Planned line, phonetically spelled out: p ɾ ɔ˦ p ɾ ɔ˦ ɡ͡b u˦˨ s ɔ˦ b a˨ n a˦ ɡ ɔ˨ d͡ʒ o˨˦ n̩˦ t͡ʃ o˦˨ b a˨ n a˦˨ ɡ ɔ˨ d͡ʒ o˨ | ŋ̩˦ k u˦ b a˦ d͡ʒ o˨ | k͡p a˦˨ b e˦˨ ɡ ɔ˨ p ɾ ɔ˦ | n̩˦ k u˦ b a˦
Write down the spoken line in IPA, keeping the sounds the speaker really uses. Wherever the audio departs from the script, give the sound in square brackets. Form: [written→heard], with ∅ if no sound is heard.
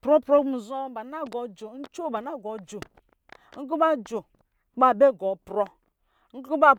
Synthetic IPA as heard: p ɾ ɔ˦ p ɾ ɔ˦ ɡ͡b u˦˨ [s→z] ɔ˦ b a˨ n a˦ ɡ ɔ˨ d͡ʒ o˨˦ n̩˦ t͡ʃ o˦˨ b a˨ n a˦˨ ɡ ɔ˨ d͡ʒ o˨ | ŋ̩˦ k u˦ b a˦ d͡ʒ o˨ | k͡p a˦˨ b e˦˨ ɡ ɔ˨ p ɾ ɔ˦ | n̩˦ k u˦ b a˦